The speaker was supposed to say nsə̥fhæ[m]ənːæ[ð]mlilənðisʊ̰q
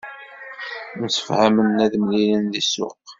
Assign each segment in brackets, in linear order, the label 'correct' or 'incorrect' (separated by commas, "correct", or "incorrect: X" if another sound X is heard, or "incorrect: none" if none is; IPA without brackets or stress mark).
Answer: correct, correct